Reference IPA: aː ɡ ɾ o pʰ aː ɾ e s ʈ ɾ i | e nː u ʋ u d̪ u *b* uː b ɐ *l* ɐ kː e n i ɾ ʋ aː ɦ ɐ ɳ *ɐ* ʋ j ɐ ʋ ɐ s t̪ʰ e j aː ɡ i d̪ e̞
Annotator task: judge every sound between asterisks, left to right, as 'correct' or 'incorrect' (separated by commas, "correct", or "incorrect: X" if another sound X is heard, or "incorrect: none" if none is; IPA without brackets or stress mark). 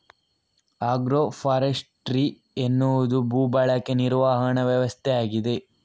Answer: correct, incorrect: ɭ, correct